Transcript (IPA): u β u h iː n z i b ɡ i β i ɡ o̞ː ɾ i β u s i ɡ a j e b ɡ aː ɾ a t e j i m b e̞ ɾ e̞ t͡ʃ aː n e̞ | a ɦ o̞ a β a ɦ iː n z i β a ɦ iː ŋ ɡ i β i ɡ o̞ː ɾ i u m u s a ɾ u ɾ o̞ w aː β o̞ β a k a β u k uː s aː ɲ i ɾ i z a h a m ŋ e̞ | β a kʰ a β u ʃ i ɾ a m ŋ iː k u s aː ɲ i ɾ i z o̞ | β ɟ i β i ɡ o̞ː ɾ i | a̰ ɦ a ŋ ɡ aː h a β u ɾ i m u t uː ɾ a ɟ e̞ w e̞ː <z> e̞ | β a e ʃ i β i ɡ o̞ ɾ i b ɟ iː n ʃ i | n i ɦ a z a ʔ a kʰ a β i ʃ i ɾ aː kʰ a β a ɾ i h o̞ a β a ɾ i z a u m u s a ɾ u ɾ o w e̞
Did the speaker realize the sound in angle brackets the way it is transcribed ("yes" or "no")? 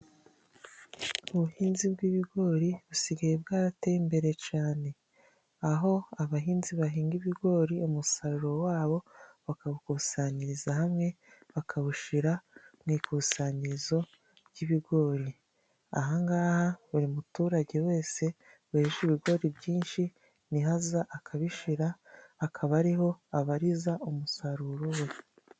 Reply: no